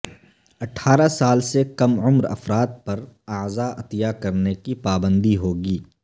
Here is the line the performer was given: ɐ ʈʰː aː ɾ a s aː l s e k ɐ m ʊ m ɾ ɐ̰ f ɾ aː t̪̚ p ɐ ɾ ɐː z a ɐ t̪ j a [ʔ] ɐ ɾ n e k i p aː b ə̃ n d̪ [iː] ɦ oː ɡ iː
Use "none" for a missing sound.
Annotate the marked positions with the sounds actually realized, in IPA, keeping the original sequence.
k, i

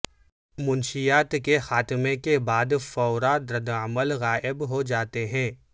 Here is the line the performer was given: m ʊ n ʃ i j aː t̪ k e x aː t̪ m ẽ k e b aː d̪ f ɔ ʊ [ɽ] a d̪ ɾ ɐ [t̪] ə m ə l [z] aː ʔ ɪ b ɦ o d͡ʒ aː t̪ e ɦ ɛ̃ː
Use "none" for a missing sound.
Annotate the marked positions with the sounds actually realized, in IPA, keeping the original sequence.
ɾ, d̪, ɣ

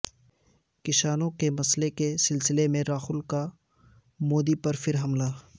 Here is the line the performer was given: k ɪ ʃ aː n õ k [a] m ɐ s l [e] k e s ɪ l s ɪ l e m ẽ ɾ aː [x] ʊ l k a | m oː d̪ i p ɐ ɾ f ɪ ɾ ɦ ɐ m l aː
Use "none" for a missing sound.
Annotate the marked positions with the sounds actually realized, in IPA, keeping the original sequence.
e, e, x

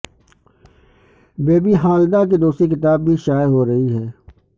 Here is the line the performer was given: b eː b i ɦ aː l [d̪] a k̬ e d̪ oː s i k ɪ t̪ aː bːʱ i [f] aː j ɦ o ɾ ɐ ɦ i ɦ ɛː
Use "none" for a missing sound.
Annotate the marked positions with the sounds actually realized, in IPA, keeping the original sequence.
d̪, ʃ

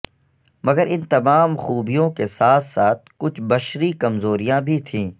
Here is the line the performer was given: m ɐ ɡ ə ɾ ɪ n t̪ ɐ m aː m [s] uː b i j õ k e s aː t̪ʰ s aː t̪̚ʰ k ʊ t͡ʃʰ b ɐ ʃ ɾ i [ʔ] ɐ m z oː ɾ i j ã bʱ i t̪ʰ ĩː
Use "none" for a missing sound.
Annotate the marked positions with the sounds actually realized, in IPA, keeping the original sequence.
x, k

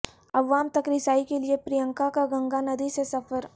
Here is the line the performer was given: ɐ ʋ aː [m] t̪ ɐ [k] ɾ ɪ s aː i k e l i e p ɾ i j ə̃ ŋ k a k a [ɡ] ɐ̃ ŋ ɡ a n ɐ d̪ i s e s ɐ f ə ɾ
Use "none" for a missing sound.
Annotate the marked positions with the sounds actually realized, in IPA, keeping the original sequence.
m, k, ɡ

